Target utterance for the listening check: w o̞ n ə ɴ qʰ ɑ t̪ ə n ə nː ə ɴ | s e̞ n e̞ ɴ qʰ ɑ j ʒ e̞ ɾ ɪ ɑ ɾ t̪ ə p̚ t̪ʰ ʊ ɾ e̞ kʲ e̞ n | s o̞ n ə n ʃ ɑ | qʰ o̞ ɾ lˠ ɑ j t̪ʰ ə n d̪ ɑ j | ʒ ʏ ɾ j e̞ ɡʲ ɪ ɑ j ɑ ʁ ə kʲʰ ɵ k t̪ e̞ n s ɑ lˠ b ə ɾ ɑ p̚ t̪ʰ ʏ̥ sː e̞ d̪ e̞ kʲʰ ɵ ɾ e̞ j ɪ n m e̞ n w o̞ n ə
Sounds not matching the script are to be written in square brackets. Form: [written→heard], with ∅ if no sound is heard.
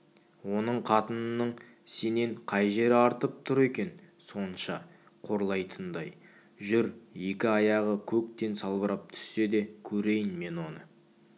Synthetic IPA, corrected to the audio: w o̞ n ə ɴ qʰ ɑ t̪ ə n ə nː ə ɴ | s e̞ n e̞ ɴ qʰ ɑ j ʒ e̞ ɾ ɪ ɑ ɾ t̪ ə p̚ t̪ʰ ʊ ɾ e̞ kʲ e̞ n | s o̞ n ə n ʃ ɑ | qʰ o̞ ɾ lˠ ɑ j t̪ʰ ə n d̪ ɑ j | ʒ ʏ ɾ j e̞ [ɡʲ→kʲ] ɪ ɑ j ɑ ʁ ə kʲʰ ɵ k t̪ e̞ n s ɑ lˠ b ə ɾ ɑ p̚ t̪ʰ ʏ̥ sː e̞ d̪ e̞ kʲʰ ɵ ɾ e̞ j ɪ n m e̞ n w o̞ n ə